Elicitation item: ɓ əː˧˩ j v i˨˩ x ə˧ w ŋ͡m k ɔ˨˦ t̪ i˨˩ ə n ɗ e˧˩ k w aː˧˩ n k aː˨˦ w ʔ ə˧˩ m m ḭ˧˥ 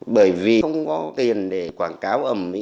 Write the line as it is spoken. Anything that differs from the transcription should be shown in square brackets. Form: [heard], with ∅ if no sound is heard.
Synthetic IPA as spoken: ɓ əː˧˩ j v i˨˩ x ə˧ w ŋ͡m k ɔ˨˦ t̪ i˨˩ ə n ɗ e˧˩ k w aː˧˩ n k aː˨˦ w ʔ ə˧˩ m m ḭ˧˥

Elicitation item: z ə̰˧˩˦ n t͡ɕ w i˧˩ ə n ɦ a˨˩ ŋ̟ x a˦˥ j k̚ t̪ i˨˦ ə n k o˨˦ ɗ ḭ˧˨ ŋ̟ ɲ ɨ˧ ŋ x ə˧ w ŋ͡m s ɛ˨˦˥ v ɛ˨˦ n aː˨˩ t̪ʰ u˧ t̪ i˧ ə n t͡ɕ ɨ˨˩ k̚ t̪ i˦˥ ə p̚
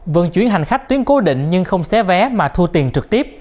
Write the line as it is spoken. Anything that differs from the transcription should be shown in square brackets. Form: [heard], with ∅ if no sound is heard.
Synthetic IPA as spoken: [v] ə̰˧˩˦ n t͡ɕ w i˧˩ ə n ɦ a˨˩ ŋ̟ x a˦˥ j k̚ t̪ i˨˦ ə n k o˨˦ ɗ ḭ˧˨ ŋ̟ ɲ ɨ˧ ŋ x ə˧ w ŋ͡m s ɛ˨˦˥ v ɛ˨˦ [m] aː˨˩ t̪ʰ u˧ t̪ [i˨˩] ə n t͡ɕ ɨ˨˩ k̚ t̪ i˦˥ ə p̚

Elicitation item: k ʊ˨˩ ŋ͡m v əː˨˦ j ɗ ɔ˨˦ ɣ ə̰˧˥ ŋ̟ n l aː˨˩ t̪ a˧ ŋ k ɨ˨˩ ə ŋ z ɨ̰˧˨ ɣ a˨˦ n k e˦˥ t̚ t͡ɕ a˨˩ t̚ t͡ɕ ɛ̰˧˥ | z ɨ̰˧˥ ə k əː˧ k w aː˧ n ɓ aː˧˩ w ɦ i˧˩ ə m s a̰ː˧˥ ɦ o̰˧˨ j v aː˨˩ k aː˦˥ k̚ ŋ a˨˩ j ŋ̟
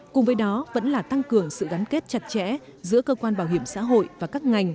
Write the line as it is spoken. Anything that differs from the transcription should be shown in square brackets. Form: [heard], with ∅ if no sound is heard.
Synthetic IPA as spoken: k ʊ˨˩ ŋ͡m v əː˨˦ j ɗ ɔ˨˦ [v] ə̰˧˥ [∅] n l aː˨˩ t̪ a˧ ŋ k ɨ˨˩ ə ŋ [s] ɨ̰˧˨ ɣ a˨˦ n k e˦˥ t̚ t͡ɕ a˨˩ t̚ t͡ɕ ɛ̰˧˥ | z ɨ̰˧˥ ə k əː˧ k w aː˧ n ɓ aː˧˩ w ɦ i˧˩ ə m s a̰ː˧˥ ɦ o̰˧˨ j v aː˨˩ k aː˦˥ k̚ ŋ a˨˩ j ŋ̟

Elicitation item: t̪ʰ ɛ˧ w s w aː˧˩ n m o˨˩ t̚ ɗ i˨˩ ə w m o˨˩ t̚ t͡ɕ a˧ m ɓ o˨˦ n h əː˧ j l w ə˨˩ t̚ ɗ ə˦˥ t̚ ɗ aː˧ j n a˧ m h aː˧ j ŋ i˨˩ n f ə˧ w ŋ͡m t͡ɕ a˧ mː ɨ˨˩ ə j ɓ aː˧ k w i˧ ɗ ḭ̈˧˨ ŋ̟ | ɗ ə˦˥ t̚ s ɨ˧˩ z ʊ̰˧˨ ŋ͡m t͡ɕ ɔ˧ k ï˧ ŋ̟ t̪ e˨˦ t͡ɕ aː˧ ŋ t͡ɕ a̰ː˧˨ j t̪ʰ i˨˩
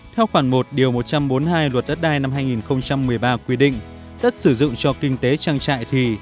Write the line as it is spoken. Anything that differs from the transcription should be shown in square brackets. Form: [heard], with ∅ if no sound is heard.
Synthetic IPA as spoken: t̪ʰ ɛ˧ w [x] w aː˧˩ n m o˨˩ t̚ ɗ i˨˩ ə w m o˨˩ t̚ t͡ɕ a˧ m ɓ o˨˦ n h [aː˧] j l w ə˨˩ t̚ ɗ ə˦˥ t̚ ɗ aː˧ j n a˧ m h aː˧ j ŋ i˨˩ n [x] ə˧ w ŋ͡m t͡ɕ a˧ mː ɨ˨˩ ə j ɓ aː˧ k w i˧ ɗ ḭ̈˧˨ ŋ̟ | ɗ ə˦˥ t̚ s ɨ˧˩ z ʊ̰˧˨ ŋ͡m t͡ɕ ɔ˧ k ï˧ ŋ̟ t̪ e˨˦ t͡ɕ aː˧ ŋ t͡ɕ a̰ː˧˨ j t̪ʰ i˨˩

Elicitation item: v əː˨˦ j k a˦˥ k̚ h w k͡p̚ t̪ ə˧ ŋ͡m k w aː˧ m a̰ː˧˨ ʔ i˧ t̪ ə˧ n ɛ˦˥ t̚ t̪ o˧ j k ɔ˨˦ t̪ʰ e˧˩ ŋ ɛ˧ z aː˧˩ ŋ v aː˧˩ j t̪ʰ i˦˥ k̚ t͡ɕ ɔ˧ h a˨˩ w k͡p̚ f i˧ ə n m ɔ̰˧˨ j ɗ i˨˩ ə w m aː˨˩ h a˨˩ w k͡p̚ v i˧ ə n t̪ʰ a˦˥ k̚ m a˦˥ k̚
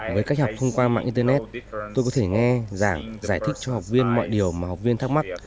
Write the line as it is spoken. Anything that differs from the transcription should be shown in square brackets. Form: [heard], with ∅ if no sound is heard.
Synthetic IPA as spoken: v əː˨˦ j k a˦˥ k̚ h w k͡p̚ [t̪ʰ] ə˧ ŋ͡m k w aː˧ m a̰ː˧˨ ʔ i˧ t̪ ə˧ n ɛ˦˥ t̚ t̪ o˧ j k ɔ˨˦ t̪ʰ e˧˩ ŋ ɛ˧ z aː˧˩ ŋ [z] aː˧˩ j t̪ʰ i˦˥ k̚ t͡ɕ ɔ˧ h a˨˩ w k͡p̚ [v] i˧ ə n m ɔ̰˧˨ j ɗ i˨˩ ə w m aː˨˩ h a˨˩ w k͡p̚ v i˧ ə n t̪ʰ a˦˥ k̚ m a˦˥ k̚

